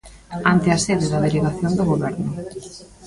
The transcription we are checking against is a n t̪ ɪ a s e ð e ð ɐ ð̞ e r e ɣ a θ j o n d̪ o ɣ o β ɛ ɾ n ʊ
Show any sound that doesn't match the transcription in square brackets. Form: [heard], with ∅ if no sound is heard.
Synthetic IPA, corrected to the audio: a n t̪ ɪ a s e ð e ð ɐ ð̞ e [l] e ɣ a θ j o n d̪ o ɣ o β ɛ ɾ n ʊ